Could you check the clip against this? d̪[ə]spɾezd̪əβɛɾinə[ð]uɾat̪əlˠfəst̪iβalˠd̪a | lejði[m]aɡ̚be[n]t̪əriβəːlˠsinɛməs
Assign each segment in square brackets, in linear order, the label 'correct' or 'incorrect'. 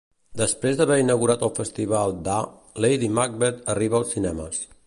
correct, incorrect: ɣ, correct, incorrect: none

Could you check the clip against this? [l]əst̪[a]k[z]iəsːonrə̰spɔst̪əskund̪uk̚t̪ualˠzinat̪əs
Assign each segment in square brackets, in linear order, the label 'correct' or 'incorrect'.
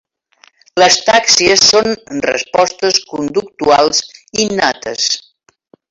correct, correct, incorrect: s

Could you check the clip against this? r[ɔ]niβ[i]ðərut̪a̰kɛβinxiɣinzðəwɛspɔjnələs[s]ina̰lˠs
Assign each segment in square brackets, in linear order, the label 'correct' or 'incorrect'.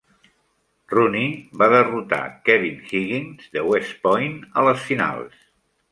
incorrect: u, incorrect: a, incorrect: f

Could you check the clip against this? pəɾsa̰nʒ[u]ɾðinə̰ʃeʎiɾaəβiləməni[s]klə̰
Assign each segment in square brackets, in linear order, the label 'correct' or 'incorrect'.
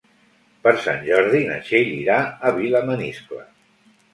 incorrect: ɔ, correct

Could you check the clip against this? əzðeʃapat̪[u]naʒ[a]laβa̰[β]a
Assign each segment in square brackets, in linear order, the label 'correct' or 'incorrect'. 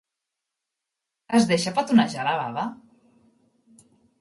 correct, correct, correct

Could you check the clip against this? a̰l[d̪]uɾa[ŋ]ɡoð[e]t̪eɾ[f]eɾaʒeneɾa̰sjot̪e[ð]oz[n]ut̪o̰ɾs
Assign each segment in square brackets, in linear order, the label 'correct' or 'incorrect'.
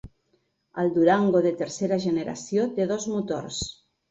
correct, correct, correct, incorrect: s, correct, incorrect: m

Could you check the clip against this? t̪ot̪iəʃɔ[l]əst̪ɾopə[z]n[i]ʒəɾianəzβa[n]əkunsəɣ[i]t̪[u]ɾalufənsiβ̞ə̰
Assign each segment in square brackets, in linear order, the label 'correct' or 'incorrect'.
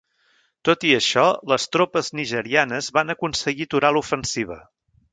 correct, correct, correct, correct, correct, correct

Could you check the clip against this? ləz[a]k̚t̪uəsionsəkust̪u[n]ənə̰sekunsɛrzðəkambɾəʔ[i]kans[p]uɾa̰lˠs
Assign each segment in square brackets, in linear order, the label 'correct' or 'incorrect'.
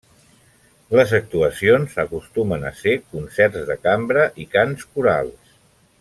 incorrect: ə, incorrect: m, correct, incorrect: k

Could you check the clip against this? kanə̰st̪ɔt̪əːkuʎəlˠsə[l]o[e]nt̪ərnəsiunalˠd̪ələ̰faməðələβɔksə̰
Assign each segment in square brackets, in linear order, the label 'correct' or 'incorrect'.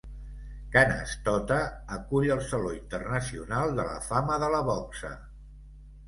correct, incorrect: i

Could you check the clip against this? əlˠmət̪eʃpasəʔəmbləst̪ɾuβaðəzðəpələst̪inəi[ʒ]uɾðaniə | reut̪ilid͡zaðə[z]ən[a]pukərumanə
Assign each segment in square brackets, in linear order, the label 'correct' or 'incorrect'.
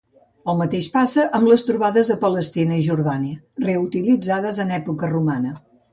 correct, correct, incorrect: ɛ

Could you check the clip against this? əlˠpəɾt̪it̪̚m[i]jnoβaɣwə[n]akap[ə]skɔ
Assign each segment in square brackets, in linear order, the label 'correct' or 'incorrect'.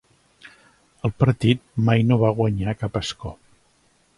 incorrect: a, incorrect: ɲ, correct

